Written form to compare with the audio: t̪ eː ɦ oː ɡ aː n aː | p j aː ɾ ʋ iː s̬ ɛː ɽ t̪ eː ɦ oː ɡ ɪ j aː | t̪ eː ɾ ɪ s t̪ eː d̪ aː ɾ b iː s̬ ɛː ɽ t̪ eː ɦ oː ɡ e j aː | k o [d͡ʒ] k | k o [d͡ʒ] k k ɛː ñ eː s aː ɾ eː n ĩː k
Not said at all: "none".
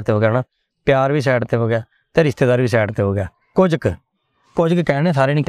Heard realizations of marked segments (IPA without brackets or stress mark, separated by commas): d͡ʒ, d͡ʒ